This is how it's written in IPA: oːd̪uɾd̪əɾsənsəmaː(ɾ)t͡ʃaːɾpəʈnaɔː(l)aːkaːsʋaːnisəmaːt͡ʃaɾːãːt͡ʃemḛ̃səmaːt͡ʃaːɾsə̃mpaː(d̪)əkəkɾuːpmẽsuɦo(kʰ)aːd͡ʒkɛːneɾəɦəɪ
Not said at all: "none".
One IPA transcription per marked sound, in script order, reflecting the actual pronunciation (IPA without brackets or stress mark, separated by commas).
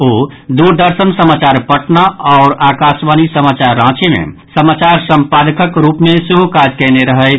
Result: none, ɾ, d̪, k